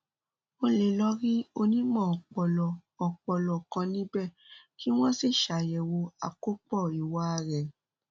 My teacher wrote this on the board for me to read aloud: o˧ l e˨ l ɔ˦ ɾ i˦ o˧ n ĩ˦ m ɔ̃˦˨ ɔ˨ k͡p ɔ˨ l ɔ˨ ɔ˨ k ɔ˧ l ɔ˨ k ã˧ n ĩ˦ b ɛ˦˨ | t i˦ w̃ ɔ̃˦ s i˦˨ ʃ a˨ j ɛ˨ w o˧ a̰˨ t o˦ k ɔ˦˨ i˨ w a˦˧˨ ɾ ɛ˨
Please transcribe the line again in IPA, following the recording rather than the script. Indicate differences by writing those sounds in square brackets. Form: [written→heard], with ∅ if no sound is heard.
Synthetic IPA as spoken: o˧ l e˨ l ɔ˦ ɾ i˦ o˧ n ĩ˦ m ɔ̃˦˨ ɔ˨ k͡p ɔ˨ l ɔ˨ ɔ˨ [k→k͡p] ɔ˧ l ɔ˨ k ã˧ n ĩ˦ b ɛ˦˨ | [t→k] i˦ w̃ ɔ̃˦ s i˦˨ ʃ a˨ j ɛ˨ w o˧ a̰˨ [t→k] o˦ [k→k͡p] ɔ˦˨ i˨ w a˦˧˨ ɾ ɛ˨